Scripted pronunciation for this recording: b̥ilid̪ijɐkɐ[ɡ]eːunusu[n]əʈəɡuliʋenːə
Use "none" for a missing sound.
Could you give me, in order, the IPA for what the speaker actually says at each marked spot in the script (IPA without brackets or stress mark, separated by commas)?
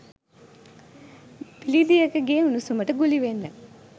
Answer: ɡ, m